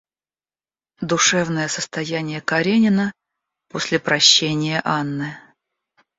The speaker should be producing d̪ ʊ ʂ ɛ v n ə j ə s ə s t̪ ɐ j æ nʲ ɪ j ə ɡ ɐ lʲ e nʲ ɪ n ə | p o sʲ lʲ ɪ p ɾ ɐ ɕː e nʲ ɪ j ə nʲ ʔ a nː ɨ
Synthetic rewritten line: d̪ ʊ ʂ ɛ v n ə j ə s ə s t̪ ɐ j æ nʲ ɪ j ə k ɐ ɾʲ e nʲ ɪ n ə | p o sʲ lʲ ɪ p ɾ ɐ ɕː e nʲ ɪ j ə ʔ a nː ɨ